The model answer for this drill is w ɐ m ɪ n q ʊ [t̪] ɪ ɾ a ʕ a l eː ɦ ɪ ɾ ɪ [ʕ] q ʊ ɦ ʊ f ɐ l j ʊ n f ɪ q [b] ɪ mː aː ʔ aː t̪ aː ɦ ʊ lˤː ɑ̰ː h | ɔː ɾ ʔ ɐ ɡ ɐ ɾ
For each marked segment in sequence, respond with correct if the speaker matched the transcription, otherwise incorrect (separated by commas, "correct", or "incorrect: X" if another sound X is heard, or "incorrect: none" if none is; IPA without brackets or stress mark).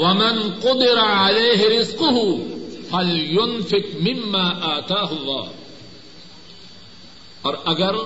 incorrect: d̪, incorrect: z, incorrect: m